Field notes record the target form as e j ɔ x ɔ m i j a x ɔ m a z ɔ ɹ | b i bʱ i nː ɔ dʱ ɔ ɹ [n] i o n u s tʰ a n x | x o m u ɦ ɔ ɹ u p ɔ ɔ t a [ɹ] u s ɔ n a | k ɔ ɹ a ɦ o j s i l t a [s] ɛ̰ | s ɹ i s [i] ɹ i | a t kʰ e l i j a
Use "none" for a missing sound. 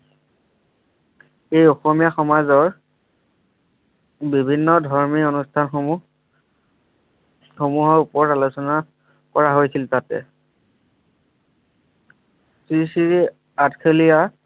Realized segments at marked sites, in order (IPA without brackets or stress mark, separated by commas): m, l, t, i